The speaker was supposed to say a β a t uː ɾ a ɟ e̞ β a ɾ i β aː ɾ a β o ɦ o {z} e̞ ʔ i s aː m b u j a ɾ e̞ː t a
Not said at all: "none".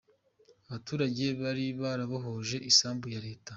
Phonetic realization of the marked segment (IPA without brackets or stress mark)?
ʒ